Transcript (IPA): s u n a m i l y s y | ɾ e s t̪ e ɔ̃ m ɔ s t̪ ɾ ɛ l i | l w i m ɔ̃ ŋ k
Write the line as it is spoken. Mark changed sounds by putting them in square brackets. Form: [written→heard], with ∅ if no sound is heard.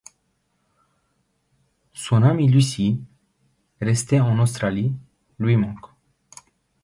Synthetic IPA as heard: s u n a m i l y s [y→i] | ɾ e s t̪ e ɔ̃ [m→n] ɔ s t̪ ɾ [ɛ→a] l i | l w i m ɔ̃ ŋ k